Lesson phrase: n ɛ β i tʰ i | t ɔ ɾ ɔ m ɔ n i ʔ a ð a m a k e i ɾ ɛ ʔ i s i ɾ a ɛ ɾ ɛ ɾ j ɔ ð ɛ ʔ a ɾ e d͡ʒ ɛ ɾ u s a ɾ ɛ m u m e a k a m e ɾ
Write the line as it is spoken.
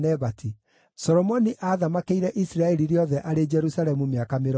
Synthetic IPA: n ɛ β a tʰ i | s ɔ ɾ ɔ m ɔ n i ʔ a ð a m a k e i ɾ ɛ ʔ i s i ɾ a ɛ ɾ i ɾ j ɔ ð ɛ ʔ a ɾ e d͡ʒ ɛ ɾ u s a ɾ ɛ m u m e a k a m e ɾ